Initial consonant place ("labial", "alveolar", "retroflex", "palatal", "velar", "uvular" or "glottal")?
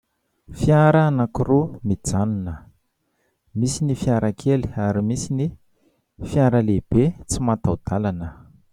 labial